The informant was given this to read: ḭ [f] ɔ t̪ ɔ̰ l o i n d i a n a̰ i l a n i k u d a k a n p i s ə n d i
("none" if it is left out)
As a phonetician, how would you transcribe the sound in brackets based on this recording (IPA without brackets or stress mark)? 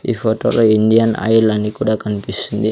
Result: f